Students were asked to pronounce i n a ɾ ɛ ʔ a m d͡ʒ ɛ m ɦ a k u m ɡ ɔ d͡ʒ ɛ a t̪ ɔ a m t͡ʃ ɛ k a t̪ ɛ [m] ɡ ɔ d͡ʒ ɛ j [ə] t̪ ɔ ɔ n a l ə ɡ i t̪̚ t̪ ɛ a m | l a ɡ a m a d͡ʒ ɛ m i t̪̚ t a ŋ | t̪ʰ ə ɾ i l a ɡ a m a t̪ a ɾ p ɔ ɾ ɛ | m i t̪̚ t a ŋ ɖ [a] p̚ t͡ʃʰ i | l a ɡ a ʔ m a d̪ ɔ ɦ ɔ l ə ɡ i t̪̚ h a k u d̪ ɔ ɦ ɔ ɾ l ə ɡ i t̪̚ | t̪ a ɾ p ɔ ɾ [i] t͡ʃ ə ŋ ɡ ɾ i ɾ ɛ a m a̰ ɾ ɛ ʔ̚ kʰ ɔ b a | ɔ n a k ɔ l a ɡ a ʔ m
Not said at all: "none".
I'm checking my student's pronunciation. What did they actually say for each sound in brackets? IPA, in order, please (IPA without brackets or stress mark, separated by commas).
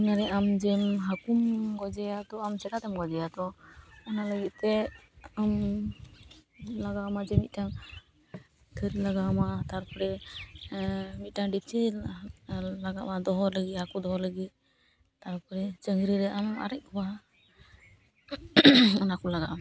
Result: m, a, i, ɛ